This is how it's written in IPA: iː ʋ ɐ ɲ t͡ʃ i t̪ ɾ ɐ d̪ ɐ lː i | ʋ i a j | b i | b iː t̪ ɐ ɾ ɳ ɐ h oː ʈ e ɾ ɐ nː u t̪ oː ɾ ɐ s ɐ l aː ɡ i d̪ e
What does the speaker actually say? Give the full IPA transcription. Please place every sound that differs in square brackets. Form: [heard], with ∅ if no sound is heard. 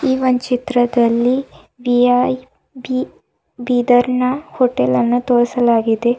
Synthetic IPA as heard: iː ʋ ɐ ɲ t͡ʃ i t̪ ɾ ɐ d̪ ɐ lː i | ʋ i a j | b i | b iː [d̪] ɐ ɾ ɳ ɐ h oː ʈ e [l] ɐ nː u t̪ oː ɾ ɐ s ɐ l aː ɡ i d̪ e